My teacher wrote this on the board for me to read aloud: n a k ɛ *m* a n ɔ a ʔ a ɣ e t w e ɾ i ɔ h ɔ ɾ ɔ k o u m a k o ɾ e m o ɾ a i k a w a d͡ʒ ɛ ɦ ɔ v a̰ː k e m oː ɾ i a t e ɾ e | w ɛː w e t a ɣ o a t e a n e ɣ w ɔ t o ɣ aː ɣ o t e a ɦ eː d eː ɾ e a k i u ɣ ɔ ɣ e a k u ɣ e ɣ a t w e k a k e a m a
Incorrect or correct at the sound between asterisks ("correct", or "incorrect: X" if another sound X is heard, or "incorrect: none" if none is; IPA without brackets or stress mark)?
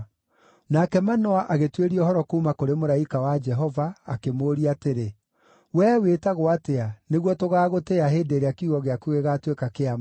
correct